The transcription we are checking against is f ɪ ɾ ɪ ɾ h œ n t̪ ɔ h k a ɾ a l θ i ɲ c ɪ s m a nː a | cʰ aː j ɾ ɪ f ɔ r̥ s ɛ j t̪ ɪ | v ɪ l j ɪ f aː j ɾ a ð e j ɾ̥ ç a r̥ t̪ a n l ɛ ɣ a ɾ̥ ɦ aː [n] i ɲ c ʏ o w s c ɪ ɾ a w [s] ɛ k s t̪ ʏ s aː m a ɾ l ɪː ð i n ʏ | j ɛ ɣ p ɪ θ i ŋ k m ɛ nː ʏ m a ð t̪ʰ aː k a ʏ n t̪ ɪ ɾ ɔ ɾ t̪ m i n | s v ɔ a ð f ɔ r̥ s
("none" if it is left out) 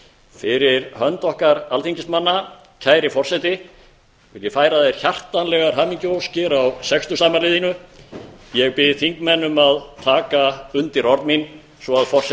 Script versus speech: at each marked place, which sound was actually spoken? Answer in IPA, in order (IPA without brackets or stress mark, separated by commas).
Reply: m, s